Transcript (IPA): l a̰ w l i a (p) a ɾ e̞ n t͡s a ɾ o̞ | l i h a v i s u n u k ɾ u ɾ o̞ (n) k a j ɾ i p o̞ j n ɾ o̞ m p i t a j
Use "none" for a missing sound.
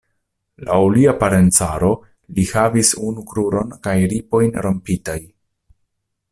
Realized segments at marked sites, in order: p, n

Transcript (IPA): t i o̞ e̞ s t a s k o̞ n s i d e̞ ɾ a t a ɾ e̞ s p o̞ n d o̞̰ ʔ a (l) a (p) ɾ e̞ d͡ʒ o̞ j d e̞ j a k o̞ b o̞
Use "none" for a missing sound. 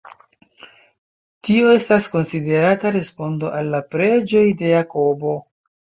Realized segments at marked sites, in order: lː, p

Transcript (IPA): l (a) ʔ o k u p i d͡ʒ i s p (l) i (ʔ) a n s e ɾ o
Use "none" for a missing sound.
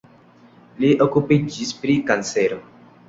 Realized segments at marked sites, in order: i, ɾ, k

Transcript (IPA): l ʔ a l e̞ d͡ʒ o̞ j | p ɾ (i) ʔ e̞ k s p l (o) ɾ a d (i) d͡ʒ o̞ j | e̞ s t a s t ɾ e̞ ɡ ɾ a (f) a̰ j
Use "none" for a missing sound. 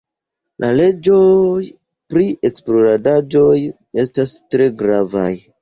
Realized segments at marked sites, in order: i, o, a, v

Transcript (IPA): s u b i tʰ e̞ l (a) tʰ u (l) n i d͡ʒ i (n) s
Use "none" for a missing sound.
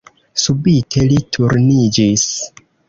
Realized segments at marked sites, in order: i, ɾ, none

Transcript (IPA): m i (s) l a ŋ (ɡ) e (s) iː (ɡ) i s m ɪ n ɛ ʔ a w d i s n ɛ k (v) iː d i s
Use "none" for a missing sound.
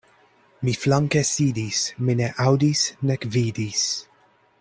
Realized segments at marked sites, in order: f, k, s, d, v

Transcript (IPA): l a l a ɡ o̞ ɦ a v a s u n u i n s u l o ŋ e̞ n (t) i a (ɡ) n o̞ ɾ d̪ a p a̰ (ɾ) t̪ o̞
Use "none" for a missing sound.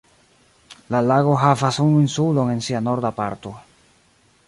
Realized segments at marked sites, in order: s, none, ɾ

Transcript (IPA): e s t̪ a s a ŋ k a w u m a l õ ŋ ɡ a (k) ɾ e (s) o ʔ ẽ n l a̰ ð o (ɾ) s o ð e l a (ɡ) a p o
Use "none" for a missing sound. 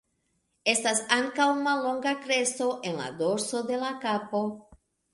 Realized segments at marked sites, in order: k, s, ɾ, k

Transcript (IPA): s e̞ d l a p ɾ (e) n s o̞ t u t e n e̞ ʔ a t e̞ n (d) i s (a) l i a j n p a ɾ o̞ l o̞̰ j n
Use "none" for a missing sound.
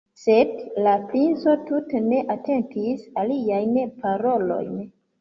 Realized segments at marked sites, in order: i, t, a

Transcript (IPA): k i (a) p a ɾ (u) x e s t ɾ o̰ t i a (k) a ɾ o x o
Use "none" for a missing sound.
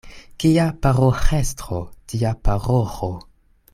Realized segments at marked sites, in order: a, o, p

